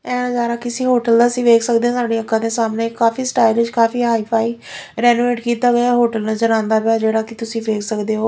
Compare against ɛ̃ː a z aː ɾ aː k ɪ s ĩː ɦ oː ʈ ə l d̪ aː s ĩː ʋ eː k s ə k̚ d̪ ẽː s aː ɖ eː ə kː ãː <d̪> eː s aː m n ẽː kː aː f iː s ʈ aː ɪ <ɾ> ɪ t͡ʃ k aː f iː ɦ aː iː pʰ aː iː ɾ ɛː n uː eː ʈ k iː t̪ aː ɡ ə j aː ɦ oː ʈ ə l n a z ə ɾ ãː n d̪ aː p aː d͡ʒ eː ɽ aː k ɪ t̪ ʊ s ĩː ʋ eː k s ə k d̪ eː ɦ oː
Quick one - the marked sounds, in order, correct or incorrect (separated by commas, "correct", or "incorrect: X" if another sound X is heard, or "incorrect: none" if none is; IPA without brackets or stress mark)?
correct, incorrect: l